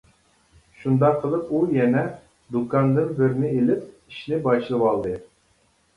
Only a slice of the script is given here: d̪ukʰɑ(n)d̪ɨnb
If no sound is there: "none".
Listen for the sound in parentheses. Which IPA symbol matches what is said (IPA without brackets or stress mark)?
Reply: n